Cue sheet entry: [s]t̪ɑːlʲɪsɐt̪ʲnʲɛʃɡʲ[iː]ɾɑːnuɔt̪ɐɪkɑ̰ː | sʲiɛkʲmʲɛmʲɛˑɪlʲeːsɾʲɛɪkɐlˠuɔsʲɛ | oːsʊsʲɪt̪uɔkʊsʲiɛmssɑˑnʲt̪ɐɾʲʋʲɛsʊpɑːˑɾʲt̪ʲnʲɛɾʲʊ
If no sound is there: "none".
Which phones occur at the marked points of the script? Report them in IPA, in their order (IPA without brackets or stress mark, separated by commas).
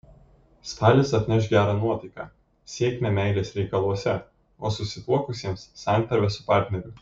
s, æː